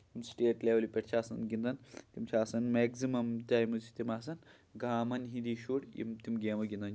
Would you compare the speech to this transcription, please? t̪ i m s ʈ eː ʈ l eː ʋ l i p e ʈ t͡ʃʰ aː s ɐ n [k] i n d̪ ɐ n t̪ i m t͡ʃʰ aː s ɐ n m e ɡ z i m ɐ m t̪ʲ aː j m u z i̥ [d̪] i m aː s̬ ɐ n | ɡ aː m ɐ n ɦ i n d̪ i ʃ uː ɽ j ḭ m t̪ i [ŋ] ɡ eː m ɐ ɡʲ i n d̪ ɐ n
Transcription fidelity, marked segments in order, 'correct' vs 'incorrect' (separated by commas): incorrect, incorrect, incorrect